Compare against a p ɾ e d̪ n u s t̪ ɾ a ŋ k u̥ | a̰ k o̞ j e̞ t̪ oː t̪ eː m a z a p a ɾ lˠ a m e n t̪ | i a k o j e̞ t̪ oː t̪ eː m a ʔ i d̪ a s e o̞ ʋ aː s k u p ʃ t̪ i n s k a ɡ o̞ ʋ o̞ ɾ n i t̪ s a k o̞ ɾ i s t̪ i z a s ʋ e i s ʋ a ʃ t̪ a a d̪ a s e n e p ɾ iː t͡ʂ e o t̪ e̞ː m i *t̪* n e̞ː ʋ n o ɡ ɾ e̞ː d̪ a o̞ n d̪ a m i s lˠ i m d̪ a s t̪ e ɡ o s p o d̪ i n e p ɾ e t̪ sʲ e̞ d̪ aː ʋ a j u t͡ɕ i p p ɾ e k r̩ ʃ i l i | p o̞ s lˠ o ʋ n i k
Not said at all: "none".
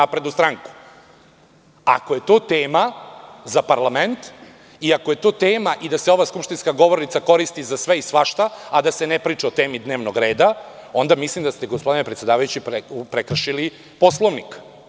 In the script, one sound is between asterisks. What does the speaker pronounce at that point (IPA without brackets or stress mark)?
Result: d̪